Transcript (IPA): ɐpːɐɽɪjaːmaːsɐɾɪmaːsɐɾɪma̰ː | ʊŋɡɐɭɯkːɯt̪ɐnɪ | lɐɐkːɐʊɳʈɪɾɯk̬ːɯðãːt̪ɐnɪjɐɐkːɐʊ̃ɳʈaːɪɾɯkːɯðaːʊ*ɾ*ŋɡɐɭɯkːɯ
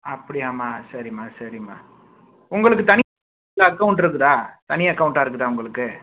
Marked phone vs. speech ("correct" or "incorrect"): incorrect